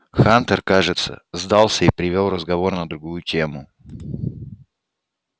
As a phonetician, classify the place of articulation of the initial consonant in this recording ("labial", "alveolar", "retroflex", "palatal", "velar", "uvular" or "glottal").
velar